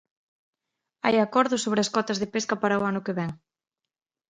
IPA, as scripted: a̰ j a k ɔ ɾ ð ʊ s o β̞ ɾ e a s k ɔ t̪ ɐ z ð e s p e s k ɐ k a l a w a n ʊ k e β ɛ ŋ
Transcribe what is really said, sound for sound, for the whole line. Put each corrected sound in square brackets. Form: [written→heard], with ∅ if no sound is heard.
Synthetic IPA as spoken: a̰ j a k ɔ ɾ ð ʊ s o β̞ ɾ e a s k ɔ t̪ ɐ z ð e [s→∅] p e s k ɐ [k→p] a [l→ɾ] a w a n ʊ k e β ɛ ŋ